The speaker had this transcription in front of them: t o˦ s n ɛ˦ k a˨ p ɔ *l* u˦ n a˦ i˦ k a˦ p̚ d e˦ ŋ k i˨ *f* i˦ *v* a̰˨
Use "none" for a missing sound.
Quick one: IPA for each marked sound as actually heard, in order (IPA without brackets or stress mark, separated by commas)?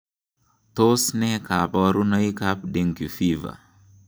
ɾ, f, v